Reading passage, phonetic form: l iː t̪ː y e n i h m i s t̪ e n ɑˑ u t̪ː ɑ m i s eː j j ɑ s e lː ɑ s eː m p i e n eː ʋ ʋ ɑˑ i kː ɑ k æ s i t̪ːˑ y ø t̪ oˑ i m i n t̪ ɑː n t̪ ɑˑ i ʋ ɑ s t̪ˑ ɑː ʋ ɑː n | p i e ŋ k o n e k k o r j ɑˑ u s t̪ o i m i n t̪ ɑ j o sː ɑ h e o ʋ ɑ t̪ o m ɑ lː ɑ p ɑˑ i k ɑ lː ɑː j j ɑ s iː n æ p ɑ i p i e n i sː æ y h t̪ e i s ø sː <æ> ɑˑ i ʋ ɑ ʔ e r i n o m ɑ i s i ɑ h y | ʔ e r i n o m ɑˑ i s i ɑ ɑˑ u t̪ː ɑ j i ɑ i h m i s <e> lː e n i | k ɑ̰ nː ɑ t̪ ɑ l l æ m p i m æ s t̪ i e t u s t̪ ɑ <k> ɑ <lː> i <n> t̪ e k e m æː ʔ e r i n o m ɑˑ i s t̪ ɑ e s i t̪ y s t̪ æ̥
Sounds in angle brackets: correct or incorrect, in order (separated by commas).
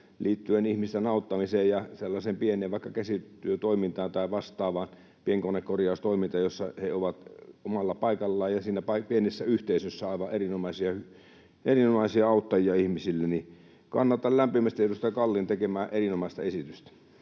correct, incorrect, correct, correct, correct